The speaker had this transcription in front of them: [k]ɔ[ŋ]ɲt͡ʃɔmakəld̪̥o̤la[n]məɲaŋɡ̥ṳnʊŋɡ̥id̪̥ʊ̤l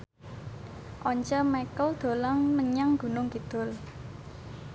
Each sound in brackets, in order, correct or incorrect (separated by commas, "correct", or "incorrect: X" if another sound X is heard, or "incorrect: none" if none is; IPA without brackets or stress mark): incorrect: ʔ, incorrect: none, incorrect: ŋ